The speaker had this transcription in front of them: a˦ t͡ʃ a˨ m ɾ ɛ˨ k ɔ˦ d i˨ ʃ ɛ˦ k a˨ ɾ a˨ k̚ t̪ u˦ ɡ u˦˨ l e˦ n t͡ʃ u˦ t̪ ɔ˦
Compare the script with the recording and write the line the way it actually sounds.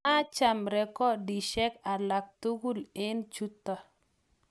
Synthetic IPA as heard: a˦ t͡ʃ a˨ m ɾ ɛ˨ k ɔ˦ d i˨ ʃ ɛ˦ k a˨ l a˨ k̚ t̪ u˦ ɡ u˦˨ l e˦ n t͡ʃ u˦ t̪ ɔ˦